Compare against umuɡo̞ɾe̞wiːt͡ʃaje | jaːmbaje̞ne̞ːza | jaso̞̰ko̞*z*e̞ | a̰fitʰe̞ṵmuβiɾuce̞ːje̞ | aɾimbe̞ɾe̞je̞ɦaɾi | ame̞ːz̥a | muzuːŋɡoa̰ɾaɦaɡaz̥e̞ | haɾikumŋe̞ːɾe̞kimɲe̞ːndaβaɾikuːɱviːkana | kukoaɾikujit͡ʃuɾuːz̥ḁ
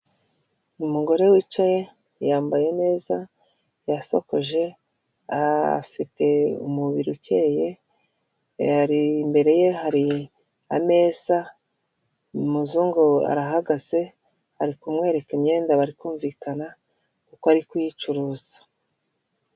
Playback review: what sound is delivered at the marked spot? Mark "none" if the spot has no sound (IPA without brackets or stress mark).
ʒ